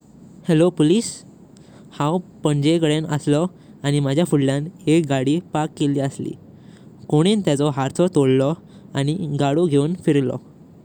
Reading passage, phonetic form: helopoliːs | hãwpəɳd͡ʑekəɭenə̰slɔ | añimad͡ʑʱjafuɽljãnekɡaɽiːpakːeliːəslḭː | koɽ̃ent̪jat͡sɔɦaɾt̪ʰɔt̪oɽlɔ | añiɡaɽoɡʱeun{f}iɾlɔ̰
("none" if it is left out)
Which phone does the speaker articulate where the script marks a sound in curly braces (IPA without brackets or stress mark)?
f